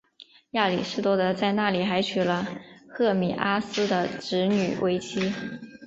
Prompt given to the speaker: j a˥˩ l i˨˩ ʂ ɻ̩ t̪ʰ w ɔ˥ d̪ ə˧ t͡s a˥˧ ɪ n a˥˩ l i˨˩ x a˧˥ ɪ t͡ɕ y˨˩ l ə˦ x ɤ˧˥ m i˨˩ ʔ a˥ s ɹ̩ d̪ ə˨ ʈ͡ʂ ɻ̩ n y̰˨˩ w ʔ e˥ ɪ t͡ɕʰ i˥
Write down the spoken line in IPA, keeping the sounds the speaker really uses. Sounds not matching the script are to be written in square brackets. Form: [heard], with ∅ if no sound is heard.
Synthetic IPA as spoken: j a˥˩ l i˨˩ ʂ ɻ̩ [t̪] w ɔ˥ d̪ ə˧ t͡s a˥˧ ɪ n a˥˩ l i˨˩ x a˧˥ ɪ [t͡ɕʰ] y˨˩ l ə˦ x [ɤ˥˩] m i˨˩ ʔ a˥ s ɹ̩ d̪ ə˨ ʈ͡ʂ ɻ̩ n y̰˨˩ w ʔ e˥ ɪ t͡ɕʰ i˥